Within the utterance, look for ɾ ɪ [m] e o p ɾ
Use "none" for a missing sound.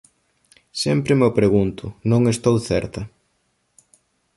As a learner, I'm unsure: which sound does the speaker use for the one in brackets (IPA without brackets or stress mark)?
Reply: m